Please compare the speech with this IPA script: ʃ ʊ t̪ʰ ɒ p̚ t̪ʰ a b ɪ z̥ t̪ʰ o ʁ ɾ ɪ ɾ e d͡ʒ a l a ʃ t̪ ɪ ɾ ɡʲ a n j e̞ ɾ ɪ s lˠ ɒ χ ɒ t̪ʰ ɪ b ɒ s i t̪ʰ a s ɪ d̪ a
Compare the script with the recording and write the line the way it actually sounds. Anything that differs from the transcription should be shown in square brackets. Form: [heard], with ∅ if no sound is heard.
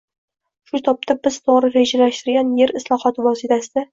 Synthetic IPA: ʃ ʊ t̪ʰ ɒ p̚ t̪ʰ a b ɪ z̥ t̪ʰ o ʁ ɾ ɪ ɾ e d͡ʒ a l a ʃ t̪ ɪ ɾ ɡʲ a n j e̞ ɾ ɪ s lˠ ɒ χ ɒ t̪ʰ ɪ [v] ɒ s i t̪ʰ a s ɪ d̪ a